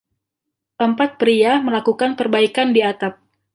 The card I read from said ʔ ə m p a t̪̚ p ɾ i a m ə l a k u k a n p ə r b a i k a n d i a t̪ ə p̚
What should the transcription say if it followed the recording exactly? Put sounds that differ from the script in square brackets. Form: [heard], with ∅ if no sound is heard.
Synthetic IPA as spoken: ʔ ə m p a t̪̚ p ɾ i a m ə l a k u k a n p ə r b a i k a n d i a t̪ [a] p̚